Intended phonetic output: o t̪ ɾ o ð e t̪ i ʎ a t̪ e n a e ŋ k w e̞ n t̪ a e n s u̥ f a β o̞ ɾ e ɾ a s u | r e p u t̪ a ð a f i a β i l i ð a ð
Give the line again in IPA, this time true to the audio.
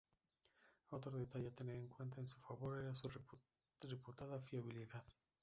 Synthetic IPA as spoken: o t̪ ɾ o ð e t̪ a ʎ a t̪ e n e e ŋ k w e̞ n t̪ a e n s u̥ f a β o̞ ɾ e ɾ a s u | r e p u t̪ a ð a f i a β i l i ð a ð